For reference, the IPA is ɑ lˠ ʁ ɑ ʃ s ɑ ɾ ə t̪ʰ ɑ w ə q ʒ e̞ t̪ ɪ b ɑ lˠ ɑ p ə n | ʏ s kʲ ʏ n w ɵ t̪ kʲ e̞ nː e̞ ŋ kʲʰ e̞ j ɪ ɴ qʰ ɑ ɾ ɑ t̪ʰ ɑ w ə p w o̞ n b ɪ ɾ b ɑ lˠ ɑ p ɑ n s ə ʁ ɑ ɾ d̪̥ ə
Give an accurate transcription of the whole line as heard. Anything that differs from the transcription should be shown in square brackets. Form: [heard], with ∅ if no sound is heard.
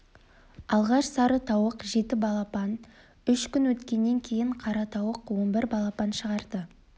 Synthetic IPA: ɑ lˠ ʁ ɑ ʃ s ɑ ɾ ə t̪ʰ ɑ w ə q ʒ e̞ t̪ ɪ b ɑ lˠ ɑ p [ɑ] n | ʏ [ʃ] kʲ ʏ n w ɵ t̪ kʲ e̞ nː e̞ ŋ kʲʰ e̞ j ɪ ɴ qʰ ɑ ɾ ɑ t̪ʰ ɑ w ə [q] w o̞ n b ɪ ɾ b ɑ lˠ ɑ p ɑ n [ʃ] ə ʁ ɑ ɾ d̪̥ ə

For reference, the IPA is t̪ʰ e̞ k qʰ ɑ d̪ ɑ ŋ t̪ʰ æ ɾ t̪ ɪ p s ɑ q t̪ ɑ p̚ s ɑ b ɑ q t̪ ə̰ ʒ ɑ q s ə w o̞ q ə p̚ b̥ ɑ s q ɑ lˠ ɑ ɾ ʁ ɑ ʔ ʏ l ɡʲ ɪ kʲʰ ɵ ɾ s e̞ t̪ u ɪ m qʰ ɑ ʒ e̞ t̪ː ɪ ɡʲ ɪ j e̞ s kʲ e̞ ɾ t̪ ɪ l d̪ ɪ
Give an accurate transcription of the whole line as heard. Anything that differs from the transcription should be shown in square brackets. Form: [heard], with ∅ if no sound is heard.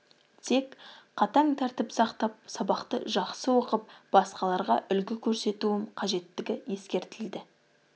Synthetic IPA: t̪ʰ e̞ k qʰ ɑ [t̪] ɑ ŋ t̪ʰ æ ɾ t̪ ɪ p s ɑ q t̪ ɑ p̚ s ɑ b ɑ q t̪ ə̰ ʒ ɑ q s ə w o̞ q ə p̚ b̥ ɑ s q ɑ lˠ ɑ ɾ ʁ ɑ ʔ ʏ l ɡʲ ɪ kʲʰ ɵ ɾ s e̞ t̪ u ɪ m qʰ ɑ ʒ e̞ t̪ː ɪ ɡʲ ɪ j e̞ s kʲ e̞ ɾ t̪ ɪ l d̪ ɪ

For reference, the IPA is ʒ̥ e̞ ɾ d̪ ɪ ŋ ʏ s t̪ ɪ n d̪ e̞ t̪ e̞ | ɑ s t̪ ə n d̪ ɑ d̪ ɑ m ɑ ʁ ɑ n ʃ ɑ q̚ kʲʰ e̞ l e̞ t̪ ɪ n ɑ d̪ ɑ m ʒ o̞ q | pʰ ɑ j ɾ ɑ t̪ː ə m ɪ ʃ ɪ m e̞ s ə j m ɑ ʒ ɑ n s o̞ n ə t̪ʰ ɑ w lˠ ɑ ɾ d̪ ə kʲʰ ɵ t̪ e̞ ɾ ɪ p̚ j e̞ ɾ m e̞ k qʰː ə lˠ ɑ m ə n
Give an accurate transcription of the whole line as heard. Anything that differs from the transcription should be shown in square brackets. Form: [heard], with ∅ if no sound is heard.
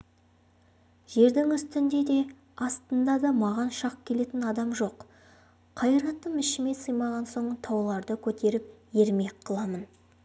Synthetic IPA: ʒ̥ e̞ ɾ d̪ ɪ ŋ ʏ s t̪ ɪ n d̪ e̞ [d̪] e̞ | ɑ s t̪ ə n d̪ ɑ d̪ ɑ m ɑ ʁ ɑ n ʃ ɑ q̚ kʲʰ e̞ l e̞ t̪ ɪ n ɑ d̪ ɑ m ʒ o̞ q | [qʰ] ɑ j ɾ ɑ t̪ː ə m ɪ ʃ ɪ m e̞ s ə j m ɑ [ʁ] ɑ n s o̞ [ɴ] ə t̪ʰ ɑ w lˠ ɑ ɾ d̪ ə kʲʰ ɵ t̪ e̞ ɾ ɪ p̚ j e̞ ɾ m e̞ k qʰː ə lˠ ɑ m ə n

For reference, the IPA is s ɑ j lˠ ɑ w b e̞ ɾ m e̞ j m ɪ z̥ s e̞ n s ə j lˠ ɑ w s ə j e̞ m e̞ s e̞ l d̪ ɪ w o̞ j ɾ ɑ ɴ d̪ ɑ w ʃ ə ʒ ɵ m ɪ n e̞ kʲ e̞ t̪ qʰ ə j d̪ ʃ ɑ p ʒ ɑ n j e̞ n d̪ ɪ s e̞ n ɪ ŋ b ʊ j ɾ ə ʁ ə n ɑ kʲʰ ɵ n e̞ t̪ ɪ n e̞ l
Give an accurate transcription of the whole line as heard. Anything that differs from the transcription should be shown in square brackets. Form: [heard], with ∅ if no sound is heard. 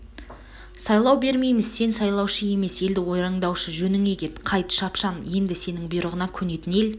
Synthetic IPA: s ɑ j lˠ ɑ w b e̞ ɾ m e̞ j m ɪ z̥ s e̞ n s [ɑ] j lˠ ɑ w [ʃ] ə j e̞ m e̞ s e̞ l d̪ ɪ w o̞ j ɾ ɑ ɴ d̪ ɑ w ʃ ə ʒ ɵ [n] ɪ [ŋ] e̞ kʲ e̞ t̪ qʰ [ɑ] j [t̪] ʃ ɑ p [ʃ] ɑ n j e̞ n d̪ ɪ s e̞ n ɪ ŋ b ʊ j ɾ ə ʁ ə n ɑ kʲʰ ɵ n e̞ t̪ ɪ n e̞ l

